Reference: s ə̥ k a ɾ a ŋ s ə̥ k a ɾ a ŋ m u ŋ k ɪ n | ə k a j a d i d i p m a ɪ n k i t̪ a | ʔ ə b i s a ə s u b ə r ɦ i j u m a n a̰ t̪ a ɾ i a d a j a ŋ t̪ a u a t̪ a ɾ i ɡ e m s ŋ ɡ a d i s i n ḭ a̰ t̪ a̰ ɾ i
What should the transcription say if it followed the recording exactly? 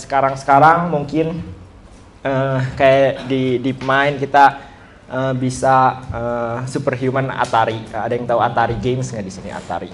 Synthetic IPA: s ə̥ k a ɾ a ŋ s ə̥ k a ɾ a ŋ m u ŋ k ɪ n | ə k a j a d i d i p m a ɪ n k i t̪ a | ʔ ə b i s a ə s u p ə r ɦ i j u m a n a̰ t̪ a ɾ i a d a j a ŋ t̪ a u a t̪ a ɾ i ɡ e m s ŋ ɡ a d i s i n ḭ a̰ t̪ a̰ ɾ i